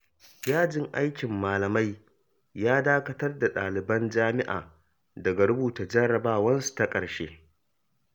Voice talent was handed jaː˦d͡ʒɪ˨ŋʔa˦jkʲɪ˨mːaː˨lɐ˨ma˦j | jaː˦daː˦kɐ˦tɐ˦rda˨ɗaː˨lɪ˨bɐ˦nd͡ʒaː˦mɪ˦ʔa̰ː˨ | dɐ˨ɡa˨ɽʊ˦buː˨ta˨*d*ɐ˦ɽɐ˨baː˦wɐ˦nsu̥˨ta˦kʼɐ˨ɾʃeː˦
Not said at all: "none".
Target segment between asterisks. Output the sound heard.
d͡ʒ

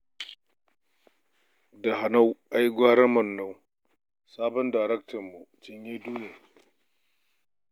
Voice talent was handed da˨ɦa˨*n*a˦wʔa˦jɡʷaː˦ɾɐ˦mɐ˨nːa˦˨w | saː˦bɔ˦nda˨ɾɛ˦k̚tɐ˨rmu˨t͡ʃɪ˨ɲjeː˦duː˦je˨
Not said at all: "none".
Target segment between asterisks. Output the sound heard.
n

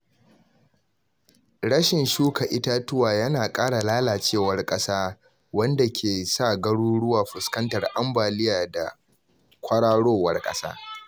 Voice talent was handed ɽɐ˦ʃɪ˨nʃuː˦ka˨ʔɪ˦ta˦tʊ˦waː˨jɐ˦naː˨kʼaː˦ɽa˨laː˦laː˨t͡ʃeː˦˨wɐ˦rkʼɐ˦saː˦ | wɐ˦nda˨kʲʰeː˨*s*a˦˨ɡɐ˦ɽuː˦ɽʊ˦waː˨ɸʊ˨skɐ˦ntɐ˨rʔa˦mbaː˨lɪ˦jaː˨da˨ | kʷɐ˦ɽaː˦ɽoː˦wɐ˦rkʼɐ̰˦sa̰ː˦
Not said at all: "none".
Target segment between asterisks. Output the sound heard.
s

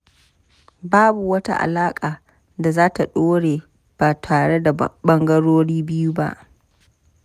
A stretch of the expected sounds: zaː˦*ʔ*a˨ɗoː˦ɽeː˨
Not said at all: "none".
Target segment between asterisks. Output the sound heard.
t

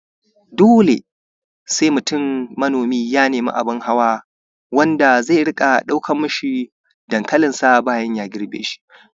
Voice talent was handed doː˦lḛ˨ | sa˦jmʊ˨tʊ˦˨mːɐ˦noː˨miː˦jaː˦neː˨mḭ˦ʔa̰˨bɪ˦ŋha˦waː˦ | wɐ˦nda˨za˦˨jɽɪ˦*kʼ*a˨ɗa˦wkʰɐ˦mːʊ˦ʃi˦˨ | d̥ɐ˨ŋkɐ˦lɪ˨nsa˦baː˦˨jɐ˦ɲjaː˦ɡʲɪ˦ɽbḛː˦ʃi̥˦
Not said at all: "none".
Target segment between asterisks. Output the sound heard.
kʼ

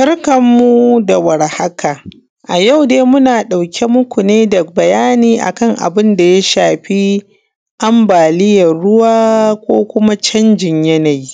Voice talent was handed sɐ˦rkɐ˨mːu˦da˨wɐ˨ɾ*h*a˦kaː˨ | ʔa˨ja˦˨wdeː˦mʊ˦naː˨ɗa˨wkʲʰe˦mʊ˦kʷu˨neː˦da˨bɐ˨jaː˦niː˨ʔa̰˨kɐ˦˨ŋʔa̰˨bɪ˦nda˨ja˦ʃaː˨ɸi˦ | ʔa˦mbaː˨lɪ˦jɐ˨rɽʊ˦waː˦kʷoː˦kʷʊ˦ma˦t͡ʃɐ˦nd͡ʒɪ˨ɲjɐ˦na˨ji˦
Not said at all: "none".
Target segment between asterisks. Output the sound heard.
h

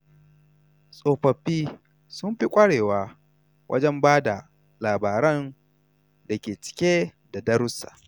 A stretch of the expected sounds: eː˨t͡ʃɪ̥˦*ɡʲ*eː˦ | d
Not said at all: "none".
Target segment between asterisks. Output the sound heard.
kʲ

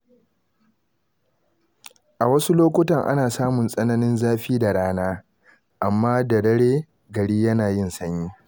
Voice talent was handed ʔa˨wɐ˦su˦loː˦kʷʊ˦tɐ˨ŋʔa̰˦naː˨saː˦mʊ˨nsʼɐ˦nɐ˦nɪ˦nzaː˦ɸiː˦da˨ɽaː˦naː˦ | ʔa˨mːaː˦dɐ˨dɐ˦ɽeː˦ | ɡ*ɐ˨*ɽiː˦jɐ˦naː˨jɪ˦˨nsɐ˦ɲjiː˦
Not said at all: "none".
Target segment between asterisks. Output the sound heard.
ɐ˨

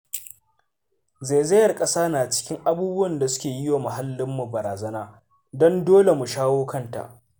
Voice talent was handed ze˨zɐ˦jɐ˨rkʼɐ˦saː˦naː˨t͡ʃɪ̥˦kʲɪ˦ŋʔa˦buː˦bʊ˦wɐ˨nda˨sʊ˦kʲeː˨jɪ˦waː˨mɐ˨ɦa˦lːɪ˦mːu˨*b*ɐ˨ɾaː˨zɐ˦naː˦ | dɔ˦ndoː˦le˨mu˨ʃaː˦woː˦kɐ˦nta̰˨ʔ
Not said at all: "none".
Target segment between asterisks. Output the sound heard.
b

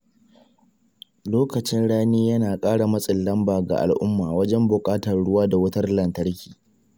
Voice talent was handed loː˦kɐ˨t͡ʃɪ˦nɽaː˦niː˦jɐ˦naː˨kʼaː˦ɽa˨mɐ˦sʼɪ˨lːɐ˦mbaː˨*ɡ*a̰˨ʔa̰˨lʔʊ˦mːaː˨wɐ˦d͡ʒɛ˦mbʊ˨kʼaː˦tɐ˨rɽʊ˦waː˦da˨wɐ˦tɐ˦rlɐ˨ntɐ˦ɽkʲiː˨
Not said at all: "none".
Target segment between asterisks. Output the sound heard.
ɡ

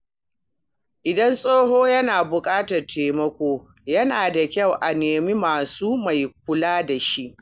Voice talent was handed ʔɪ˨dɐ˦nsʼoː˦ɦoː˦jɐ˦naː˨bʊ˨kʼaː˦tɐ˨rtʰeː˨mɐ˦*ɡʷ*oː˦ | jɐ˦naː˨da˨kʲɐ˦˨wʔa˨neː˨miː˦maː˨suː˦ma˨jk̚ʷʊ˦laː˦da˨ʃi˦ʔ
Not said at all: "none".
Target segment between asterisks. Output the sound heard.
kʷ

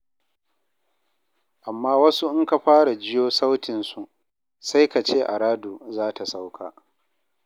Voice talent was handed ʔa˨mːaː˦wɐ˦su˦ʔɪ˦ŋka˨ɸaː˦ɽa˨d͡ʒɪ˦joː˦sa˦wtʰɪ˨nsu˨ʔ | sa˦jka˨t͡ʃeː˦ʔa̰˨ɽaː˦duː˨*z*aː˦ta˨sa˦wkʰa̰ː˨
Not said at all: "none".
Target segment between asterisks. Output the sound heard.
z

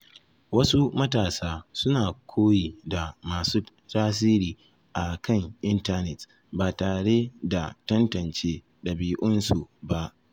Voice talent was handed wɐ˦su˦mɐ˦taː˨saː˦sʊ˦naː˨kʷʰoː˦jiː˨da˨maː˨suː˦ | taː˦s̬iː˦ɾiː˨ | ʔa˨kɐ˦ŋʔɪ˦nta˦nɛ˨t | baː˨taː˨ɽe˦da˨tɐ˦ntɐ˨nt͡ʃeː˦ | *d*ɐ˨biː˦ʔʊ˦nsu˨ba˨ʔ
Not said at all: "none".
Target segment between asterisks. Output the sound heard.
ɗ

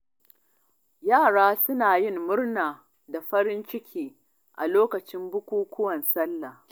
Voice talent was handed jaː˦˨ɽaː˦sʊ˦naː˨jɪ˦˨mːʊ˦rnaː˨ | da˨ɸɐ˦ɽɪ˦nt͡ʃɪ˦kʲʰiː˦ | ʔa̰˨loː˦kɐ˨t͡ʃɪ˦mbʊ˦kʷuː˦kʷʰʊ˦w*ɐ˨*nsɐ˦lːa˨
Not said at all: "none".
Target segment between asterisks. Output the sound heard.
ɐ˨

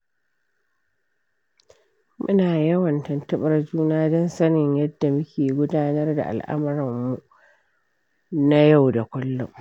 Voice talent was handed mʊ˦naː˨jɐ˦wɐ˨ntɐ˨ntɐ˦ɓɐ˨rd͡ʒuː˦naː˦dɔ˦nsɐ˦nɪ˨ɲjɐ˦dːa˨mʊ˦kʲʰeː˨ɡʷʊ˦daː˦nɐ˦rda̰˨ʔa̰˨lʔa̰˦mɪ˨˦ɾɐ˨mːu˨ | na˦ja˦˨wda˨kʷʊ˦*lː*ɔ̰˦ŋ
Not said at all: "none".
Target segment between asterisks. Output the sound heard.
lː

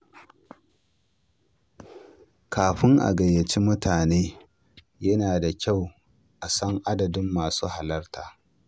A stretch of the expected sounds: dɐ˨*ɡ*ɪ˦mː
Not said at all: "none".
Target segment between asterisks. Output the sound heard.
d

